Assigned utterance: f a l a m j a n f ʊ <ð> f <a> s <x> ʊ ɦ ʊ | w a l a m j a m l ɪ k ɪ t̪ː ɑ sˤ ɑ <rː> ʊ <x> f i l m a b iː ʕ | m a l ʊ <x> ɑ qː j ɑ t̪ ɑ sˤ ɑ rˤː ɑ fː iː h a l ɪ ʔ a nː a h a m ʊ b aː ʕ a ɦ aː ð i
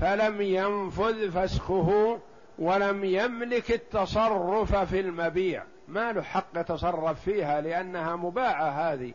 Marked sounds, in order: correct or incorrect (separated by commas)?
correct, correct, correct, correct, incorrect, incorrect